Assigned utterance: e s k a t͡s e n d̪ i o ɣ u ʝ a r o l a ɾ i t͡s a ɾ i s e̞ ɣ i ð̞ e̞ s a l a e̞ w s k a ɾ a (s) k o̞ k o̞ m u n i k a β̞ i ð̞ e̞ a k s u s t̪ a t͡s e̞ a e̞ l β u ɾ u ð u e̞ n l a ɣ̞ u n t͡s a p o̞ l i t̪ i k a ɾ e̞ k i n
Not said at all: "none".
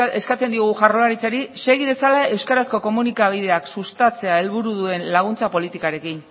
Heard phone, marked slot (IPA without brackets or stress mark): s